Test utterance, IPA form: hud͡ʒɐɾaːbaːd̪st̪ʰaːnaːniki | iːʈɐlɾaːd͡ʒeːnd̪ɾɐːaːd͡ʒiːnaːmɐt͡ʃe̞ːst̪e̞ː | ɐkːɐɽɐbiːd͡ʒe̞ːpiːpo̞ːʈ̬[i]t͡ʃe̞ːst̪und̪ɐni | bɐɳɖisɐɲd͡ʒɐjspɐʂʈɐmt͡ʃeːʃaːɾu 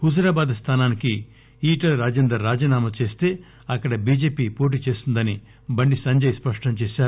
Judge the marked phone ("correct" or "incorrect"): incorrect